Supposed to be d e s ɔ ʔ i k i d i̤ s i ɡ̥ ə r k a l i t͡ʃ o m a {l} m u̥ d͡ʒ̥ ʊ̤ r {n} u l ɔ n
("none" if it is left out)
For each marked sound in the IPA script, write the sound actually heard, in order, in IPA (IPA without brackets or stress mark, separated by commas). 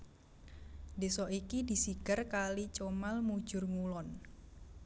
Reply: l, ŋ